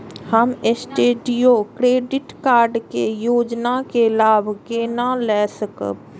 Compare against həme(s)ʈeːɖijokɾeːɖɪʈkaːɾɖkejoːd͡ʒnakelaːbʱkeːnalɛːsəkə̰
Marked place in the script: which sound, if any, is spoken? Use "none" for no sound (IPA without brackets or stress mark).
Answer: s